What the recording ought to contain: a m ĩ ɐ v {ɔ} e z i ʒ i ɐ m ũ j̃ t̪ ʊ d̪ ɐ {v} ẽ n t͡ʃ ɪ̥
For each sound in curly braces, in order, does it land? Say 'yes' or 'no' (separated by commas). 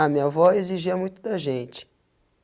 yes, no